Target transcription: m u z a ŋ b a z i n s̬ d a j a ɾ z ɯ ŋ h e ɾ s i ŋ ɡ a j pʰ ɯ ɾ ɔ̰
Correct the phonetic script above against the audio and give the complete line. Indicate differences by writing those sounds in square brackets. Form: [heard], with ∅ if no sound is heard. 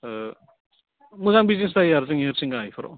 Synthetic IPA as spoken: m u z a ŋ b [i] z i n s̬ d a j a ɾ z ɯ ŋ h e ɾ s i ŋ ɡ a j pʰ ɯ ɾ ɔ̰